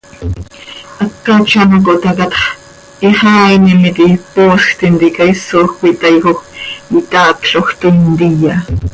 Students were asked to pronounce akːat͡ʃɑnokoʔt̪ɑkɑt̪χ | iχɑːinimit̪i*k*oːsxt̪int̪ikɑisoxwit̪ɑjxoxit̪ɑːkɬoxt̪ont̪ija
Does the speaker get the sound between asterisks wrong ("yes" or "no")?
yes